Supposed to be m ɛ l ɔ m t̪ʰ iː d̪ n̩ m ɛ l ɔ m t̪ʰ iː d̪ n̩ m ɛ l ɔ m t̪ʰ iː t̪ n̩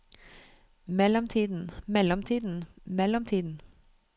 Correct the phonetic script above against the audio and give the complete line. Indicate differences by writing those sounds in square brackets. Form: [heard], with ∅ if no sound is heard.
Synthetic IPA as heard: m ɛ l ɔ m t̪ʰ iː d̪ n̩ m ɛ l ɔ m t̪ʰ iː d̪ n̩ m ɛ l ɔ m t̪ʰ iː [d̪] n̩